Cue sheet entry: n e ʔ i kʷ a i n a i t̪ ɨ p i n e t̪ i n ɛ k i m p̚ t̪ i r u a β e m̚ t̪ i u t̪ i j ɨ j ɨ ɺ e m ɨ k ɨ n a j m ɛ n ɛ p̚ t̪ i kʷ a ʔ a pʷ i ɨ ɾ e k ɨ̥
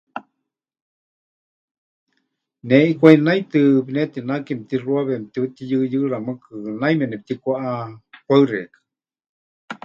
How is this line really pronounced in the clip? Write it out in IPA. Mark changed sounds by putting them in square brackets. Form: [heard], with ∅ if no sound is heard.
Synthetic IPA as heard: n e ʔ i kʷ a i n a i t̪ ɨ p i n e t̪ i n [a] k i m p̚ t̪ i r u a β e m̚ t̪ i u t̪ i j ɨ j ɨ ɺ [a] m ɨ k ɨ n a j m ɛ n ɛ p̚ t̪ i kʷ a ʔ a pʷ [a] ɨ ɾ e k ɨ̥